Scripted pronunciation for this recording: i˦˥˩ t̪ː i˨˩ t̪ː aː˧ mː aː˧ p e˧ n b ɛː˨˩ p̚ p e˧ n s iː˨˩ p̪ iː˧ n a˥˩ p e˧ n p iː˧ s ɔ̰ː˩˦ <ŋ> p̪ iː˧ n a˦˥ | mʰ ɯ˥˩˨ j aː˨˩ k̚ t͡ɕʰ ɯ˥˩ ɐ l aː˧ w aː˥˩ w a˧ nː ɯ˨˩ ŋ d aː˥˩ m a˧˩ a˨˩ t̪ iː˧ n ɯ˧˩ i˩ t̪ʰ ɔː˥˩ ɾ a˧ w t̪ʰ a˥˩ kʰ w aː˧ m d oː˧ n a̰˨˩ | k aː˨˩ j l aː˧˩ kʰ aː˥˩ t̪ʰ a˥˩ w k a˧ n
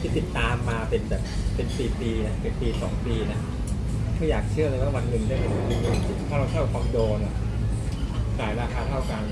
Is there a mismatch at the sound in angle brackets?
no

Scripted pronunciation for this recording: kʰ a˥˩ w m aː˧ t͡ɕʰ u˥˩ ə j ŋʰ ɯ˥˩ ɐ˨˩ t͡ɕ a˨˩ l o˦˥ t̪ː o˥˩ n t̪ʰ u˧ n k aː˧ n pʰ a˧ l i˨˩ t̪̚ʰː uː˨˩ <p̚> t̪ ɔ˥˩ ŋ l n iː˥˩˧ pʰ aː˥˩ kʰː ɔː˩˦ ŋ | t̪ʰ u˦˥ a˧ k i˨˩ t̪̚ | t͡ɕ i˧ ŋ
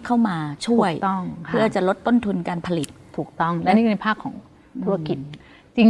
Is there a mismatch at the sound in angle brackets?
yes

